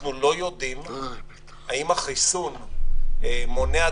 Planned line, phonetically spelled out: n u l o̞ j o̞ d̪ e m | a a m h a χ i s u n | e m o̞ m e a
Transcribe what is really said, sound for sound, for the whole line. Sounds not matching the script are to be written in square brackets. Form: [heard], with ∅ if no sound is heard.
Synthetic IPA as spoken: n u l o̞ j o̞ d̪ [i] m | a [i] m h a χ i s u n | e m o̞ [n] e a